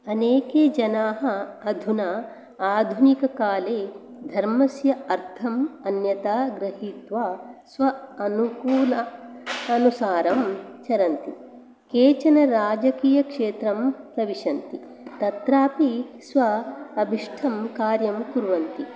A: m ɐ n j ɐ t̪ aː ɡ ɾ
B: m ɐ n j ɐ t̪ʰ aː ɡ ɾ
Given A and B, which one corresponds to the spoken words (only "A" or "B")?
A